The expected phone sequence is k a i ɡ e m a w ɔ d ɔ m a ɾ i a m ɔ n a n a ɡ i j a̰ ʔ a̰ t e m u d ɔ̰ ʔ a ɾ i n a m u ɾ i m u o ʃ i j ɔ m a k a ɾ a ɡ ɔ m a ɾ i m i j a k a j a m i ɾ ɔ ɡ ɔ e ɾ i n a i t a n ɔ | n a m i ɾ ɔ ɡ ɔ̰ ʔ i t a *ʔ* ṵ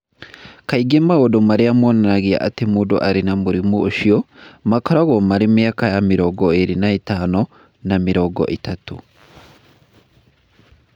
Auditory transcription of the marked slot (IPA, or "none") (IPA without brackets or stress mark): t